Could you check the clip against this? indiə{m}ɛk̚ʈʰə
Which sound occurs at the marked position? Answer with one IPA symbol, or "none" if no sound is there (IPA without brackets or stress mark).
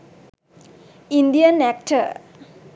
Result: n